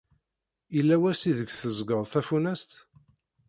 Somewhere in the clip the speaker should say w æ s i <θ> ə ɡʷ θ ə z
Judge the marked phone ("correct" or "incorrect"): incorrect